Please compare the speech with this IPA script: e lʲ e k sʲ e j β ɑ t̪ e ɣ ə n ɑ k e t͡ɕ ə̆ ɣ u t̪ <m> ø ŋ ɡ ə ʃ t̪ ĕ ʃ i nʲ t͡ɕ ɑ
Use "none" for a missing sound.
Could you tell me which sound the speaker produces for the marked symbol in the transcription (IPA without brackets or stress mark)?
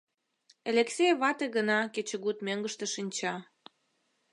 m